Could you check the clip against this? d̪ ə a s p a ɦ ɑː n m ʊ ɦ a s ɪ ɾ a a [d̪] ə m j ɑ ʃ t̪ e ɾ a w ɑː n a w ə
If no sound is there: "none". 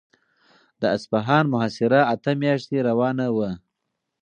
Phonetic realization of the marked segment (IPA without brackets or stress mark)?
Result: t̪